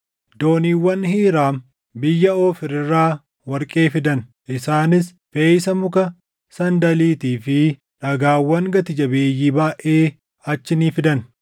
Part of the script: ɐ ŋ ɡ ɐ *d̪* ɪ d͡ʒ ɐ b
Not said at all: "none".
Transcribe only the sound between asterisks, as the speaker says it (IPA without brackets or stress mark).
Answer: t̪